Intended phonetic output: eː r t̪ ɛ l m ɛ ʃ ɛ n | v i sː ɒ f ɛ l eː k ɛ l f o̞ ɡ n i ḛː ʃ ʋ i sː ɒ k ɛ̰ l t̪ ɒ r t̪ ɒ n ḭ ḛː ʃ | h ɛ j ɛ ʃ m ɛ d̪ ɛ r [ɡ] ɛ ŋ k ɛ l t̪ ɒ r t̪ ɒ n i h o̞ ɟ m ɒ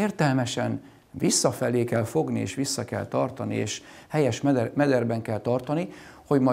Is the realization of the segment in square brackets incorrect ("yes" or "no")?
yes